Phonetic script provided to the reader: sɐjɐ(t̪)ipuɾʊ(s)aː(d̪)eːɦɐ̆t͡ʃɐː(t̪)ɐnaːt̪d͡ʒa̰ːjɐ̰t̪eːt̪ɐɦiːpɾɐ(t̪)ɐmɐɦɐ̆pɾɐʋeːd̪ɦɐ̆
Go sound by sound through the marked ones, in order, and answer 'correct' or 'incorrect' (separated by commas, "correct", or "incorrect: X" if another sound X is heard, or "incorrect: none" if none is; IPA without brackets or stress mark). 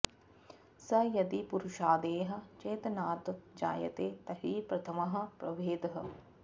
incorrect: d̪, incorrect: ʃ, correct, correct, incorrect: t̪ʰ